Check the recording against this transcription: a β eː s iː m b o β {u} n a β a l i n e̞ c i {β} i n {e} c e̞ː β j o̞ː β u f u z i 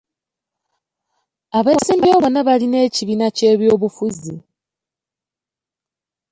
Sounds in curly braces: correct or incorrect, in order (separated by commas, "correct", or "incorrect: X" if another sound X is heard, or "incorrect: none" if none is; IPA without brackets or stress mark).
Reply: incorrect: o, correct, incorrect: a